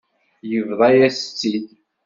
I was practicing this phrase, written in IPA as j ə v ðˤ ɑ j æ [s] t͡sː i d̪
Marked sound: correct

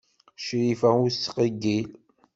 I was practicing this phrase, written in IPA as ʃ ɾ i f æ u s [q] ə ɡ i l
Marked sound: correct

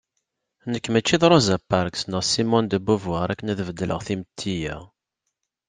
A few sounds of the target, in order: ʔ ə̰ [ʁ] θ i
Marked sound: correct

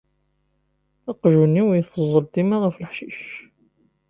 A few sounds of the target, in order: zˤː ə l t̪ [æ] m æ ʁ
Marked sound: incorrect: i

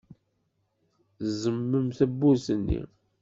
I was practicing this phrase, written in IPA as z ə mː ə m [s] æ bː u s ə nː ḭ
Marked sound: incorrect: θ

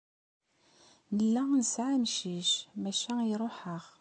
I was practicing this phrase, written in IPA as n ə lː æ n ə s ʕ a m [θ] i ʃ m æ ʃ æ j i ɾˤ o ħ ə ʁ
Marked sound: incorrect: ʃ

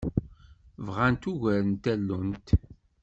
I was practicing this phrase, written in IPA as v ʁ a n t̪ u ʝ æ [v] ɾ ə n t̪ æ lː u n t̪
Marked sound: incorrect: none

